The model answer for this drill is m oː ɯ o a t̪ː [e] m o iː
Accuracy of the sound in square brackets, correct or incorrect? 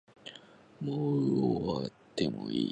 correct